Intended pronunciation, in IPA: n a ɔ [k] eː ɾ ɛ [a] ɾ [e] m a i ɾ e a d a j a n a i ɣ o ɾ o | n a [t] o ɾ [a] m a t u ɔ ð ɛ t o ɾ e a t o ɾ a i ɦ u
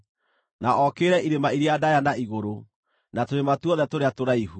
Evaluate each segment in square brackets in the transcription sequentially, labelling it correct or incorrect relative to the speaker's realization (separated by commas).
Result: correct, incorrect, correct, correct, incorrect